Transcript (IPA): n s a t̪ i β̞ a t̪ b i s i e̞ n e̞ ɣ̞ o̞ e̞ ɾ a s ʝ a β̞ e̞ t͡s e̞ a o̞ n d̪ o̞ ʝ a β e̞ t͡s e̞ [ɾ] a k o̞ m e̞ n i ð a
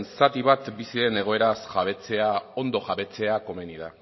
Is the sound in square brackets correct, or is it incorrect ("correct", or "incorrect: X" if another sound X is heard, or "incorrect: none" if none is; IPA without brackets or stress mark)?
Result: incorrect: none